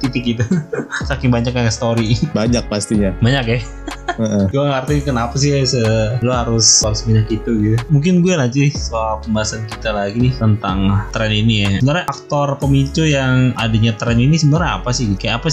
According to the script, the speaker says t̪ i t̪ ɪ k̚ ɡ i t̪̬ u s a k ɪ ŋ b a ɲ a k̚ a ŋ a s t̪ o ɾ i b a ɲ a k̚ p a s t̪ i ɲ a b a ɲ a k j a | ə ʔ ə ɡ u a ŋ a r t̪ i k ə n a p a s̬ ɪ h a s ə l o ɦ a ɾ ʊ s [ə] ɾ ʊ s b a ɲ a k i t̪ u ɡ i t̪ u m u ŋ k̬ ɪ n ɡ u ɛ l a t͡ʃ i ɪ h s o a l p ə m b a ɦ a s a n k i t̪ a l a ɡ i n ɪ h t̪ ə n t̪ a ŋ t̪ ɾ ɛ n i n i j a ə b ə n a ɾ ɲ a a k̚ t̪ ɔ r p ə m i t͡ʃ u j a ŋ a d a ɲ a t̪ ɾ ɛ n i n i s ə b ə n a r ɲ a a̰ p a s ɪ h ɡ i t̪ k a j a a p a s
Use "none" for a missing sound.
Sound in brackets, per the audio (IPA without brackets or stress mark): a